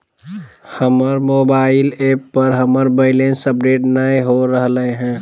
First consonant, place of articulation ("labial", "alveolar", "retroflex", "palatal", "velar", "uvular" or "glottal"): glottal